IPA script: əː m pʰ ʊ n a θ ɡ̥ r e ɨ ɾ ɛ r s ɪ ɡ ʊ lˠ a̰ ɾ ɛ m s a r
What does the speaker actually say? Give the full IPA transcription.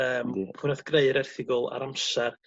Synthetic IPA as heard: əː m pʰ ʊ n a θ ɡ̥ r e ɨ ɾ ɛ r θ ɪ ɡ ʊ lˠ a̰ ɾ a m s a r